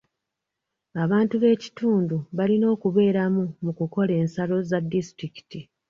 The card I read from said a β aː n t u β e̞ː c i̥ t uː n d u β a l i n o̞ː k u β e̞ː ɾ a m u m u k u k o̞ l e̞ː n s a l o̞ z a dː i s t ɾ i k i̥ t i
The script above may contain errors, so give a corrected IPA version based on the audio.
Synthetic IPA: a β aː n t u β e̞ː c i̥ t uː n d u β a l i n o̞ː k u β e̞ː ɾ a m u m u k u k o̞ l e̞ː n s a l o̞ z a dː i s t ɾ i k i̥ t i